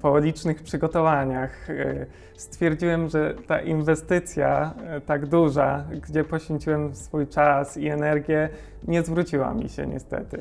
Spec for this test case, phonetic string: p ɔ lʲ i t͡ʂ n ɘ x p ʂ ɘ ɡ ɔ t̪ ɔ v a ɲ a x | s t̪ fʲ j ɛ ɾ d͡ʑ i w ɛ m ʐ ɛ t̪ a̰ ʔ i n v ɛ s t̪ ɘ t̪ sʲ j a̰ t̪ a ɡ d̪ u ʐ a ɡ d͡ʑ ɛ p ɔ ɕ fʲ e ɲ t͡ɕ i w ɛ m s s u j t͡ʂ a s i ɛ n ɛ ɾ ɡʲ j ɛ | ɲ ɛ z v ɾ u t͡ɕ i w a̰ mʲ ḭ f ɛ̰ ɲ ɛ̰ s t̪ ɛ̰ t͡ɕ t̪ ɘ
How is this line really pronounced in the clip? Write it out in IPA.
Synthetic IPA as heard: p ɔ lʲ i t͡ʂ n ɘ x p ʂ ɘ ɡ ɔ t̪ ɔ v a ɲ a x | s t̪ fʲ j ɛ ɾ d͡ʑ i w ɛ m ʐ ɛ t̪ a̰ ʔ i n v ɛ s t̪ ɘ t̪ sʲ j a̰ t̪ a ɡ d̪ u ʐ a ɡ d͡ʑ ɛ p ɔ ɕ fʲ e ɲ t͡ɕ i w ɛ m s f u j t͡ʂ a s i ɛ n ɛ ɾ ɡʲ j ɛ | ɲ ɛ z v ɾ u t͡ɕ i w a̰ mʲ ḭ ɕ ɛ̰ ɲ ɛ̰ s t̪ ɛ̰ t̪ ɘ